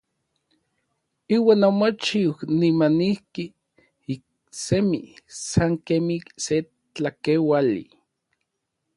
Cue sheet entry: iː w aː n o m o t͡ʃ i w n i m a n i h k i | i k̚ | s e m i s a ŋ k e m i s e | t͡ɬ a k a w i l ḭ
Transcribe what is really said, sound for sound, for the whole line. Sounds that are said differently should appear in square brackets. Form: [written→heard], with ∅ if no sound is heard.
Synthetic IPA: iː w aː n o m o t͡ʃ i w n i m a n i h k i | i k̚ | s e m i s a ŋ k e m i s e | t͡ɬ a k [a→e] w [i→a] l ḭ